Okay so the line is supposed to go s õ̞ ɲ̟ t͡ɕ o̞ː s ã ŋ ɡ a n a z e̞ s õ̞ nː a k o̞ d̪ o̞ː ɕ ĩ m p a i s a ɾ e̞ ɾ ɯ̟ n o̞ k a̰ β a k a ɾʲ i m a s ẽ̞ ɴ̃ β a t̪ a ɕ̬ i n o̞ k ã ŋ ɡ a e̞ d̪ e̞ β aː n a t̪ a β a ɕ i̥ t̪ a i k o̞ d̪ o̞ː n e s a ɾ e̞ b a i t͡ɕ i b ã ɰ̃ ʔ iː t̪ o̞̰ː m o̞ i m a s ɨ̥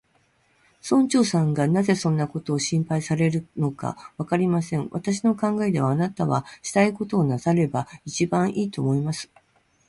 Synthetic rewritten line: s õ̞ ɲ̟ t͡ɕ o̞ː s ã ŋ ɡ a n a z e̞ s õ̞ nː a k o̞ t̪ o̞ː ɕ ĩ m p a i s a ɾ e̞ ɾ ɯ̟ n o̞ k a̰ β a k a ɾʲ i m a s ẽ̞ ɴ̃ β a t̪ a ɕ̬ i n o̞ k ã ŋ ɡ a e̞ d̪ e̞ β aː n a t̪ a β a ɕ i̥ t̪ a i k o̞ t̪ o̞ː n a s a ɾ e̞ b a i t͡ɕ i b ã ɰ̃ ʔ iː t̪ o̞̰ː m o̞ i m a s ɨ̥